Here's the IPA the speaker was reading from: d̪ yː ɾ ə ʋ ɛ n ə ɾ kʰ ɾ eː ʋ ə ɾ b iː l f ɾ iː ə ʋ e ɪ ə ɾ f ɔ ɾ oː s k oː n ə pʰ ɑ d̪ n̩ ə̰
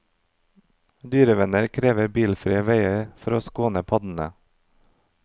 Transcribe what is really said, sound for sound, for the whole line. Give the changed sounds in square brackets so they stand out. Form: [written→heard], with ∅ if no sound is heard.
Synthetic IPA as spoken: d̪ yː ɾ ə ʋ ɛ n ə ɾ kʰ ɾ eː ʋ ə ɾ b iː l f ɾ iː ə ʋ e ɪ ə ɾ f ɔ ɾ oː s k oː n ə pʰ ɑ d̪ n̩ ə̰